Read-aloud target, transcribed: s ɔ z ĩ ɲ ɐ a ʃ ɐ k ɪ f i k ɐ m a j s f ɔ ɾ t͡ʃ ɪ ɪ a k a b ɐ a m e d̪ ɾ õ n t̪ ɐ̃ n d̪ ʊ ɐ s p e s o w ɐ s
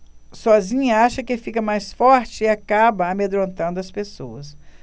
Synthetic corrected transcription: s ɔ z ĩ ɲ ɐ a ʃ ɐ k ɪ f i k ɐ m a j s f ɔ ɾ t͡ʃ ɪ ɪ a k a b ɐ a m e d̪ ɾ õ n t̪ ɐ̃ n d̪ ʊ ɐ s p e s o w ɐ s